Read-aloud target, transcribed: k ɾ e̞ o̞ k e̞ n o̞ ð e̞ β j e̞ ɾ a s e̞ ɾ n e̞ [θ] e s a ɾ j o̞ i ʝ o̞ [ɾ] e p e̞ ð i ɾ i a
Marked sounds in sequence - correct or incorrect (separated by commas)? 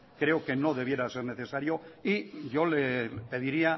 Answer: correct, incorrect